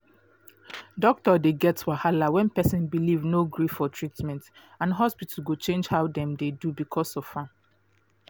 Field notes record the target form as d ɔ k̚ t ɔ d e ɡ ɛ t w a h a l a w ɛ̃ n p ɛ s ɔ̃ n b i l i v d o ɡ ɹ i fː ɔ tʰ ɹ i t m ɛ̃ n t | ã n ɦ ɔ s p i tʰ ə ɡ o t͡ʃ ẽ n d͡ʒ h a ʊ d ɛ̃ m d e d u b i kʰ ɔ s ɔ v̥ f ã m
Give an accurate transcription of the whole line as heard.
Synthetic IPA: d ɔ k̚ t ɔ d e ɡ ɛ t w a h a l a w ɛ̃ n p ɛ s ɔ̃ n b i l i v n o ɡ ɹ i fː ɔ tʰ ɹ i t m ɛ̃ n t | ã n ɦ ɔ s p i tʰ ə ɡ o t͡ʃ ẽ n d͡ʒ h a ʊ d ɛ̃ m d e d u b i kʰ ɔ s ɔ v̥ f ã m

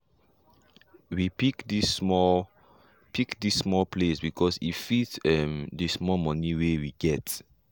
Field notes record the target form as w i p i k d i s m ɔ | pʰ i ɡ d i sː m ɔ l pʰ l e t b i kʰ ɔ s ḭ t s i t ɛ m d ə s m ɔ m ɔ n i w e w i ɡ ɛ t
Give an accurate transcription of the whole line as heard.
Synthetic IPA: w i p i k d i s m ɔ | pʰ i k d i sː m ɔ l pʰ l e s b i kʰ ɔ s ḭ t f i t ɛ m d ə s m ɔ m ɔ n i w e w i ɡ ɛ t

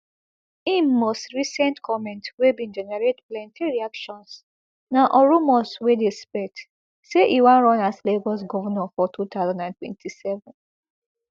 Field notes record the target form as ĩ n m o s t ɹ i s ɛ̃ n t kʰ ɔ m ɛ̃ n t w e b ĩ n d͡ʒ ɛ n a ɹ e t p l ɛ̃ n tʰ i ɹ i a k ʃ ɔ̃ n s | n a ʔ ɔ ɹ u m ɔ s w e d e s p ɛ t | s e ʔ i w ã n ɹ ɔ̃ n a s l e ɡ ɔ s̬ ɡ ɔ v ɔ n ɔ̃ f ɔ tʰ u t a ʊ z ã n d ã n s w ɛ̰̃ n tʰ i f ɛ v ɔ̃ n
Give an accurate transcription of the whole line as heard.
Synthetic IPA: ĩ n m o s t ɹ i s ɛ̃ n t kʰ ɔ m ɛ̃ n t w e b ĩ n d͡ʒ ɛ n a ɹ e t p l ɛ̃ n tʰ i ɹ i a k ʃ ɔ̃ n s | n a ʔ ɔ ɹ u m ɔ s w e d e s p ɛ t | s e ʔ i w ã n ɹ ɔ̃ n a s l e ɡ ɔ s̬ ɡ ɔ v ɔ n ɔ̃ f ɔ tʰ u t a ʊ z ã n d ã n t w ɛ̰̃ n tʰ i s ɛ v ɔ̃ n

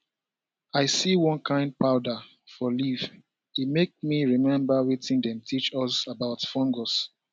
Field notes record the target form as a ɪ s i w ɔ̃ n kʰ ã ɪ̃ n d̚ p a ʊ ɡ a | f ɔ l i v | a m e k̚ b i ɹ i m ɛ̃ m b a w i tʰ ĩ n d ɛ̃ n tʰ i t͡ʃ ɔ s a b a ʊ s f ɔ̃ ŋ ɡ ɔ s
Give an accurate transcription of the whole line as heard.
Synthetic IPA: a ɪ s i w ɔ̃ n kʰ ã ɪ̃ n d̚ p a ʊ d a | f ɔ l i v | i m e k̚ m i ɹ i m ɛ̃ m b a w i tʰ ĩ n d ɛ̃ m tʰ i t͡ʃ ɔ s a b a ʊ t f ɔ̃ ŋ ɡ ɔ s

